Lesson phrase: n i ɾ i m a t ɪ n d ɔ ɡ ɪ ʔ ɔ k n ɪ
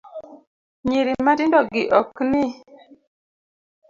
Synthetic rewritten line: ɲ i ɾ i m a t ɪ n d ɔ ɡ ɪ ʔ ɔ k n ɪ